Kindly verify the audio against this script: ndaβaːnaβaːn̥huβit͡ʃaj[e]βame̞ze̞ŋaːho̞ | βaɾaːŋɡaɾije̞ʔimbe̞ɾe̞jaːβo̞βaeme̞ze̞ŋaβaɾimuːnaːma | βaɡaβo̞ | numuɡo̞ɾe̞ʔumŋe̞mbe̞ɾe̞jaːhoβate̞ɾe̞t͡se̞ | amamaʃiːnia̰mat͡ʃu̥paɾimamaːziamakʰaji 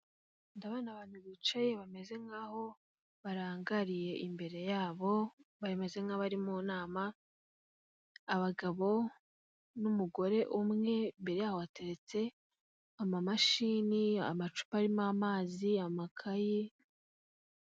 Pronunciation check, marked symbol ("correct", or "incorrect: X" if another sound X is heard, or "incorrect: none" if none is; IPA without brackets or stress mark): correct